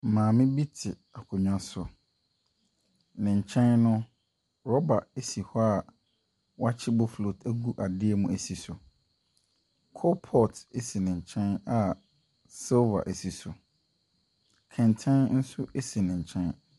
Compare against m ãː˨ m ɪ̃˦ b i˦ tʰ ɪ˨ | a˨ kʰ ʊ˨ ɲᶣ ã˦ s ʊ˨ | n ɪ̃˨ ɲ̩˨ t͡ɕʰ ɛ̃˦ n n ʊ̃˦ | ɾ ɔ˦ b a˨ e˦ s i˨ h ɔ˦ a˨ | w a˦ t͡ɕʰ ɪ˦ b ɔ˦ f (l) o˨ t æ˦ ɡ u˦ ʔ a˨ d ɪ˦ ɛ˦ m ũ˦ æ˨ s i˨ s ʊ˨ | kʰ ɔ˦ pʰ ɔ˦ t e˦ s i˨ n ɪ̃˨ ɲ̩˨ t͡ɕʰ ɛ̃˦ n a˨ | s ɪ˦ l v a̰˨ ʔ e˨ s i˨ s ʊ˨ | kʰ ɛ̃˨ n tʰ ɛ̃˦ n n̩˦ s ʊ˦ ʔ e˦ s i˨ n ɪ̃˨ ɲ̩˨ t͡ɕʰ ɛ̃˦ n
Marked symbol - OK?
yes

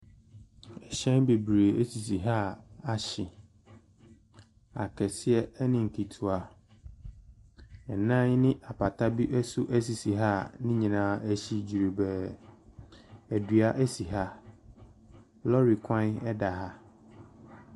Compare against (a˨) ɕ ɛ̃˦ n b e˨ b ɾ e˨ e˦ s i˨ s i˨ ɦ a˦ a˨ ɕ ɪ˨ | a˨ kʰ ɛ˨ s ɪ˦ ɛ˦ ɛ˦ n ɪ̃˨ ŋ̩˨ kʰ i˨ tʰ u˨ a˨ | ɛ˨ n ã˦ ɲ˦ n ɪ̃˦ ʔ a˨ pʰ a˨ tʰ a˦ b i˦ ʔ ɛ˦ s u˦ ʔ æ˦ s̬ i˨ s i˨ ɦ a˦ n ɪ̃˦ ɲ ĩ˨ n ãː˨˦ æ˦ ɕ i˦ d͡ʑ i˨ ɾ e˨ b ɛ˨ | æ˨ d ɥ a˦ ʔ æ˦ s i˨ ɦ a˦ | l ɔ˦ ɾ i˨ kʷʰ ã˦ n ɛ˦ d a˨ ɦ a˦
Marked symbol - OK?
no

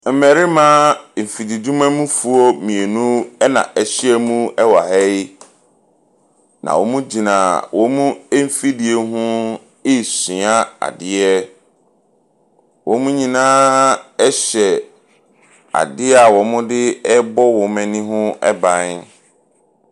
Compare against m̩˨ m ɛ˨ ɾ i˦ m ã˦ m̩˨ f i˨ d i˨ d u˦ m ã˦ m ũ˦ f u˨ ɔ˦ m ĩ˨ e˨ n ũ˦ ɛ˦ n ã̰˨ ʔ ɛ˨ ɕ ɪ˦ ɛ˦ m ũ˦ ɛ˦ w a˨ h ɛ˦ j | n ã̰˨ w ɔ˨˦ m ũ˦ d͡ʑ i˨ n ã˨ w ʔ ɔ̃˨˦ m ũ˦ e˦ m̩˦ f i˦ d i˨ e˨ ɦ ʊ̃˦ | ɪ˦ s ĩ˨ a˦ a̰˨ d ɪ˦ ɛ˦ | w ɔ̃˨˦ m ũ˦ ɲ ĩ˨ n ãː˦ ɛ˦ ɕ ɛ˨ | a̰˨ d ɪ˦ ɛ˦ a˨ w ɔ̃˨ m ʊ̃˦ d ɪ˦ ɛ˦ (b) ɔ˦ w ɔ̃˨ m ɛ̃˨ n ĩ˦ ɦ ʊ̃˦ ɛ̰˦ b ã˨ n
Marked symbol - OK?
yes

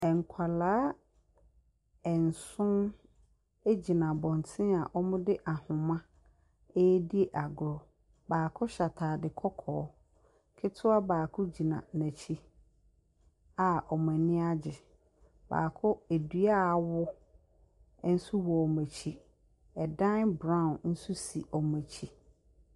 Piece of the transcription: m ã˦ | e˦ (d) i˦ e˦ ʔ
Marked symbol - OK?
yes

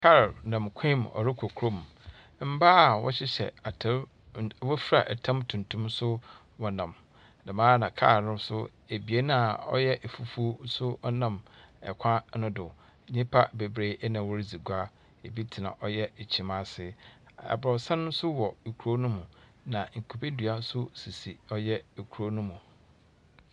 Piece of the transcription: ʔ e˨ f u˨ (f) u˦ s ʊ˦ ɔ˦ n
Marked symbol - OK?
yes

